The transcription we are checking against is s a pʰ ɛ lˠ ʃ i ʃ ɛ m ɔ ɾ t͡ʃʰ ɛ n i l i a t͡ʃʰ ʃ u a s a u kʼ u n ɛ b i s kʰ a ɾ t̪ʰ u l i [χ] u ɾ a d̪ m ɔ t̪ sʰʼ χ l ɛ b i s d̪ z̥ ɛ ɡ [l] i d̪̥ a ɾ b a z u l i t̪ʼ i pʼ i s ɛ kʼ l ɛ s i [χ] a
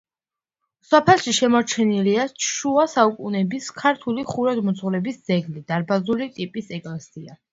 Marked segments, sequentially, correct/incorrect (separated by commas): correct, correct, incorrect